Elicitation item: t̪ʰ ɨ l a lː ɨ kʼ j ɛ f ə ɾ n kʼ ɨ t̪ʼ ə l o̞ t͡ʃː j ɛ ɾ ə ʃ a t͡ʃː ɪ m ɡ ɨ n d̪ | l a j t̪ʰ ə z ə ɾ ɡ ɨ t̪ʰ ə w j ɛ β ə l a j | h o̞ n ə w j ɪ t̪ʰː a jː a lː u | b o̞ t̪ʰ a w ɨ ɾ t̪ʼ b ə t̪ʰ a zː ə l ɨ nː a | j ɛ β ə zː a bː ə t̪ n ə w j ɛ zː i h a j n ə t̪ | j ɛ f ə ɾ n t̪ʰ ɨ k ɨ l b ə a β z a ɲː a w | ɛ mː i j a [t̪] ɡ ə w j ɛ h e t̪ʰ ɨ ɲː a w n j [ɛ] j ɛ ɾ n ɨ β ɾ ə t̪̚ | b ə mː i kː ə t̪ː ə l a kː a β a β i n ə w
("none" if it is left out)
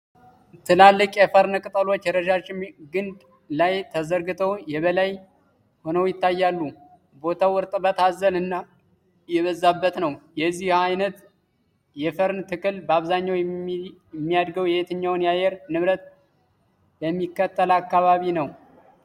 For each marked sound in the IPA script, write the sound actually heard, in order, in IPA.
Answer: d̪, a

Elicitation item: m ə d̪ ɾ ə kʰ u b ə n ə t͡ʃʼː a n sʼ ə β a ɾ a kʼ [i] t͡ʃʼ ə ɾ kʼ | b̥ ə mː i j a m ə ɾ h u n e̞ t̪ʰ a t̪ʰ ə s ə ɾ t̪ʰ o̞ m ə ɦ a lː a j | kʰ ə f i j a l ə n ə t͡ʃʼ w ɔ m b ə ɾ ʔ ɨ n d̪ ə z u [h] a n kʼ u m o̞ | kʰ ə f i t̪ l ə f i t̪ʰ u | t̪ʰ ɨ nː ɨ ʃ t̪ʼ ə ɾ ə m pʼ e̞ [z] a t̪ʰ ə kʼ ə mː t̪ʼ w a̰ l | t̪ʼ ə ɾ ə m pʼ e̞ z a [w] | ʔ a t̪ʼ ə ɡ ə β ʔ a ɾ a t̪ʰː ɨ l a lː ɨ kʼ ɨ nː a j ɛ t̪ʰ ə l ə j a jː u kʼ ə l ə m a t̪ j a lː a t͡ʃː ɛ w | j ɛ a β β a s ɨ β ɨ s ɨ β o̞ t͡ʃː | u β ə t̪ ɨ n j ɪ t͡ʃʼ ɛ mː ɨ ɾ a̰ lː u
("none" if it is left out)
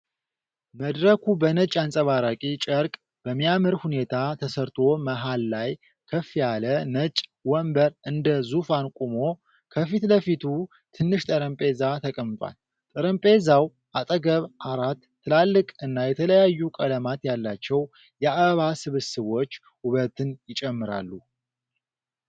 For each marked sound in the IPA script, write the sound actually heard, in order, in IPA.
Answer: i, f, z, w

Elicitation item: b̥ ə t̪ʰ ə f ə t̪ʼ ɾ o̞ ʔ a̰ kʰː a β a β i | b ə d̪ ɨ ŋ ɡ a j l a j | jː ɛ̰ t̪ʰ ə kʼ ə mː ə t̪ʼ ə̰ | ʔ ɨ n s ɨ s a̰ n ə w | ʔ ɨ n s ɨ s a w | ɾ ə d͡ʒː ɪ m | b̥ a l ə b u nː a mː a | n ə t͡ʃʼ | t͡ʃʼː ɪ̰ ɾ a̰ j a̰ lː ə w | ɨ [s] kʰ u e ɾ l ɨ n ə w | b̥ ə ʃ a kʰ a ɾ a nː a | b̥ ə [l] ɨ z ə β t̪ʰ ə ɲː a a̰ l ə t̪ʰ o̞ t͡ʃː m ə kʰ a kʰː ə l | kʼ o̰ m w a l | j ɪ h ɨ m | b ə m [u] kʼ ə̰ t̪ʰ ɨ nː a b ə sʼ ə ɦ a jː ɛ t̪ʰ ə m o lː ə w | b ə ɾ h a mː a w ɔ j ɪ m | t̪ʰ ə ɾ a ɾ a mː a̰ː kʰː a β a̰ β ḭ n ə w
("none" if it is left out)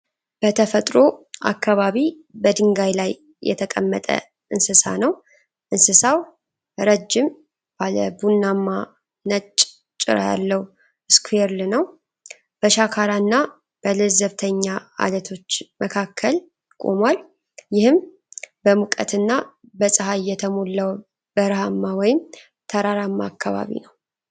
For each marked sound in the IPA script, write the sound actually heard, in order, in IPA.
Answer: s, l, u

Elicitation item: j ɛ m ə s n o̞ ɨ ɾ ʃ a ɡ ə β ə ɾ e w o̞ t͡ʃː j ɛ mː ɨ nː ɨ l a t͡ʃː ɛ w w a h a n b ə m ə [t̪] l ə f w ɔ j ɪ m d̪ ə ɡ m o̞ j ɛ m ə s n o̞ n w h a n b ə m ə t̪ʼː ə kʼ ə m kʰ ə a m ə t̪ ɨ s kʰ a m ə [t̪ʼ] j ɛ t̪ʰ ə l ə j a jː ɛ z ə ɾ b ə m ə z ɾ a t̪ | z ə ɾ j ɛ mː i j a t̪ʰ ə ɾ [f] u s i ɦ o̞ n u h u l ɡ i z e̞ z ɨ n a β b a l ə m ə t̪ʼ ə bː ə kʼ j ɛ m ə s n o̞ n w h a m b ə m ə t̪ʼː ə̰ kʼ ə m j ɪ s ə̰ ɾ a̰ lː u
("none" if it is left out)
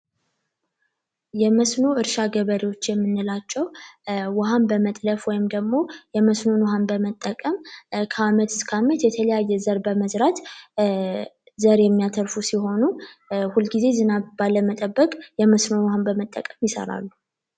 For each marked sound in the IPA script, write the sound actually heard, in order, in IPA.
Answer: t̪ʼ, t̪, f

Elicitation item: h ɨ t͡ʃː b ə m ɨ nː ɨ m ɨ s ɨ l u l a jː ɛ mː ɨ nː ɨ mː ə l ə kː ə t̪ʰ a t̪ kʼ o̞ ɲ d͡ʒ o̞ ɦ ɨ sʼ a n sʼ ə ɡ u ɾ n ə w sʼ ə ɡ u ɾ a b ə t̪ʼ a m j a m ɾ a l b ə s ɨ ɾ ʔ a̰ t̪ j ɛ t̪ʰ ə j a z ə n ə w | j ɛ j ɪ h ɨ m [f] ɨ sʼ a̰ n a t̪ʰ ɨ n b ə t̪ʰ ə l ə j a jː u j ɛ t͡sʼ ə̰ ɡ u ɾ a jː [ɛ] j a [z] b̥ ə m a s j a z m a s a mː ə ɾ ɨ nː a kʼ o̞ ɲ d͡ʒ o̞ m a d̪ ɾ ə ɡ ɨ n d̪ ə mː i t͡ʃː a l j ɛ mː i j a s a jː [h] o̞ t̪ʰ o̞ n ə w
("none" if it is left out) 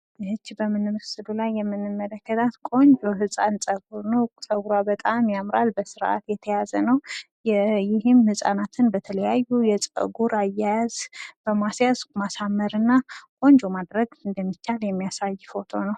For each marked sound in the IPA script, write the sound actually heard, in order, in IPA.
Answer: h, a, z, f

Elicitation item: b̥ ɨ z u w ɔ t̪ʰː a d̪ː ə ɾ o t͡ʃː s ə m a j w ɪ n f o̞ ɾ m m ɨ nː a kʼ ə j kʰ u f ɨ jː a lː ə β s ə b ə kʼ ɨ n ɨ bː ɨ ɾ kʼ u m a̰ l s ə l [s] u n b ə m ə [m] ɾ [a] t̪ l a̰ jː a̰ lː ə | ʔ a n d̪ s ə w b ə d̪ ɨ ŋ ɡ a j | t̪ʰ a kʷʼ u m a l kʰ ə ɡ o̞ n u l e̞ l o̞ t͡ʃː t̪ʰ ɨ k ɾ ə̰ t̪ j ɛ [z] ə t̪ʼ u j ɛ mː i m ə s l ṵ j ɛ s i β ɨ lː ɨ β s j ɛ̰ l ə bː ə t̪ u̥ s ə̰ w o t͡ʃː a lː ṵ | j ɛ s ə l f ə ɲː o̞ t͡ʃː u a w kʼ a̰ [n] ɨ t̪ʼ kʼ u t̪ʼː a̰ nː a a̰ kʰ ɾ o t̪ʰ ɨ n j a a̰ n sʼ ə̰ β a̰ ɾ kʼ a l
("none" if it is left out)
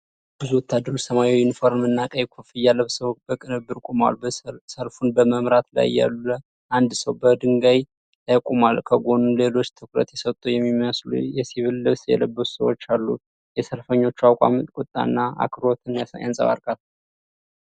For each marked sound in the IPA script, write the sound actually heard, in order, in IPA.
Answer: f, m, a, s, m

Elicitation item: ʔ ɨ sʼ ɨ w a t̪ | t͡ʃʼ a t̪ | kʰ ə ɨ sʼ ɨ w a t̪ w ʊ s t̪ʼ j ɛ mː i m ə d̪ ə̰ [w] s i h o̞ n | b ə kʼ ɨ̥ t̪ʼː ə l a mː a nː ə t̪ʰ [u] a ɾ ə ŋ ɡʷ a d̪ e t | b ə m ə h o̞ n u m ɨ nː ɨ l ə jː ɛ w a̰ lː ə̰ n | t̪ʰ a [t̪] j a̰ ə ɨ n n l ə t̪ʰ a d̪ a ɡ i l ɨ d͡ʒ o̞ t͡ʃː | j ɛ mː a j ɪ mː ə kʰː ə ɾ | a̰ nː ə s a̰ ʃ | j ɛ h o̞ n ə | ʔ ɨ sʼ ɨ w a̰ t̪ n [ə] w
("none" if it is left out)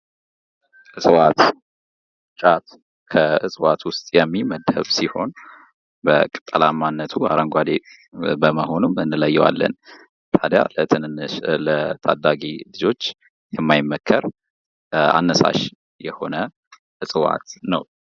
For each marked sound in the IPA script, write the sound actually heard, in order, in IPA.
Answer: β, u, d̪, ə

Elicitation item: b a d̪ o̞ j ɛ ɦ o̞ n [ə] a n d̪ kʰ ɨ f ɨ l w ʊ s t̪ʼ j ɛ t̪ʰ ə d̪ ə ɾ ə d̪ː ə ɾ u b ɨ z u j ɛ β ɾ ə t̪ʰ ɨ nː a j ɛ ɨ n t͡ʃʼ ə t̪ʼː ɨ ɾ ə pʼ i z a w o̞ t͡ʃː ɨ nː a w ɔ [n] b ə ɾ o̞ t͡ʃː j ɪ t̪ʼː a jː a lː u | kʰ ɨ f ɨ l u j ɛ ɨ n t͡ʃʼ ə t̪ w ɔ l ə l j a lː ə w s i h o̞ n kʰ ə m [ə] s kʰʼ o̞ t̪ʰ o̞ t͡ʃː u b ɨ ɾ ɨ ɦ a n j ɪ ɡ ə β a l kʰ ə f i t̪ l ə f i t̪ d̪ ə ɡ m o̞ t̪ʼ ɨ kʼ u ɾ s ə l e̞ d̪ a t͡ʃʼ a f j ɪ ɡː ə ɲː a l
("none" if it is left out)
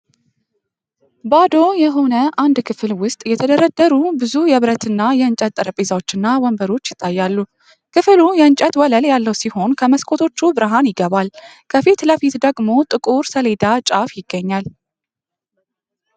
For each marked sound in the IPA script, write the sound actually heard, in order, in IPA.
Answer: ə, m, ə

